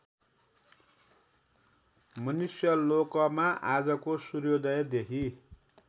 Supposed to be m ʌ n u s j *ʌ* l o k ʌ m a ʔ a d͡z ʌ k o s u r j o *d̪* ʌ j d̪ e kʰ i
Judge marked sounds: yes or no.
yes, yes

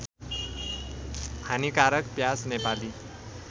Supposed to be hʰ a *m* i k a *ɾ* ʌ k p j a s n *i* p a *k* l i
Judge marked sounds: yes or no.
no, yes, no, no

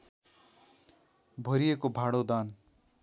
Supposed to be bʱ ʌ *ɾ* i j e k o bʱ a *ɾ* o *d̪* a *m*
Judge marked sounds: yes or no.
yes, no, yes, no

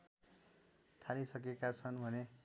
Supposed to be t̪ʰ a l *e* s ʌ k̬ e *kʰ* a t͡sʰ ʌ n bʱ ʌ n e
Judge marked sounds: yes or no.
no, no

